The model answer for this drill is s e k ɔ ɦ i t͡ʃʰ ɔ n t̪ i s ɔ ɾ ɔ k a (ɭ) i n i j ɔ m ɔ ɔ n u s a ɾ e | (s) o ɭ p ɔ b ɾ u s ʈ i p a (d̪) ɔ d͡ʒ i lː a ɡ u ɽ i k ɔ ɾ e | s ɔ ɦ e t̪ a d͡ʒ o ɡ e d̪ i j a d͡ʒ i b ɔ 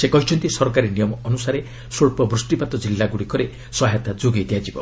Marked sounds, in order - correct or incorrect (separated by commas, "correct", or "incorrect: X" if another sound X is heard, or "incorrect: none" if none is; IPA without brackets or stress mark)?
incorrect: ɾ, correct, incorrect: t̪